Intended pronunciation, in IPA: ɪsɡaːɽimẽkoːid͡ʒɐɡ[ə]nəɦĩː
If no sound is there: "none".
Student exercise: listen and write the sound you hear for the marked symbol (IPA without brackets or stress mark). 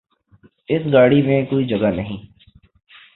a